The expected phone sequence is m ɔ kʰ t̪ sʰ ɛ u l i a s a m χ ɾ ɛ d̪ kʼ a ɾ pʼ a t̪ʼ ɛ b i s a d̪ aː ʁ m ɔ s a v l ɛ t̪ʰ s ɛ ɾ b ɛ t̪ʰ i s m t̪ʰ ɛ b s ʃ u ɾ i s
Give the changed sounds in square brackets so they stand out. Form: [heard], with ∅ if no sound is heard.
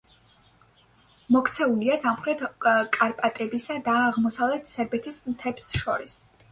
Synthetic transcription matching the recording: m ɔ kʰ t̪ sʰ ɛ u l i a s a m χ ɾ ɛ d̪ kʼ a ɾ pʼ a t̪ʼ ɛ b i s a d̪ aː ʁ m ɔ s a v l ɛ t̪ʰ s ɛ ɾ b ɛ t̪ʰ i s m t̪ʰ ɛ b s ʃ [ɔ] ɾ i s